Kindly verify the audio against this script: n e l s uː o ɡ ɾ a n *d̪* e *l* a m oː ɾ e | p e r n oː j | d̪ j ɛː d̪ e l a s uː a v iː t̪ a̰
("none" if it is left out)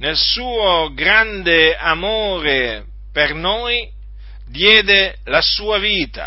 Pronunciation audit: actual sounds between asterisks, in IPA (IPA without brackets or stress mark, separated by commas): d̪, none